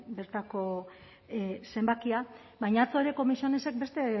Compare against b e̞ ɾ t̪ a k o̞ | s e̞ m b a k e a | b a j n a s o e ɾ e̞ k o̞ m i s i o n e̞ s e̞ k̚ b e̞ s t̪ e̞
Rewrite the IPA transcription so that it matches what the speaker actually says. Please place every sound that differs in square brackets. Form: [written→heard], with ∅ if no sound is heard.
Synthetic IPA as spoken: b e̞ ɾ t̪ a k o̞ | s e̞ m b a k [e→i] a | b a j [n→ɲ] a [s→t͡s] o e ɾ e̞ k o̞ m i s i o n e̞ s e̞ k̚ b e̞ s t̪ e̞